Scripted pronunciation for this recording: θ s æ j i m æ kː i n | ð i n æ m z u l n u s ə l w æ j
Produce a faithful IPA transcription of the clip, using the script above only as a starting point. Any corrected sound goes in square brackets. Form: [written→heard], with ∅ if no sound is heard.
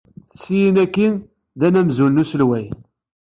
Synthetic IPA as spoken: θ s [æ→i] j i [m→n] æ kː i n | ð [i→æ] n æ m z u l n u s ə l w æ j